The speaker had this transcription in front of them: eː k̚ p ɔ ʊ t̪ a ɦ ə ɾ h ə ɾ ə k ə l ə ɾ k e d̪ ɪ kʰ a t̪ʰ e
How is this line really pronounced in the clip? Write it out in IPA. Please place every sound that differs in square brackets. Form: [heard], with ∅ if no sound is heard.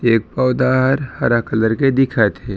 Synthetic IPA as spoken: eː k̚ p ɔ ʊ [d̪] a ɦ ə ɾ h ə ɾ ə k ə l ə ɾ k e d̪ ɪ kʰ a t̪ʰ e